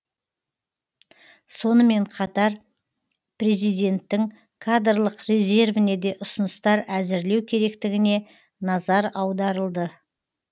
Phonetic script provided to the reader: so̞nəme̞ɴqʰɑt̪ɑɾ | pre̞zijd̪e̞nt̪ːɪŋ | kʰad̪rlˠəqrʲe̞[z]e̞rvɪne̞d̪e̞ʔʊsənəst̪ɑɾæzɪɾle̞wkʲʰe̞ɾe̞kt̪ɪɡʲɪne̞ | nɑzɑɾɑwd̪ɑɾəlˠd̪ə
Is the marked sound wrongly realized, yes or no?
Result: no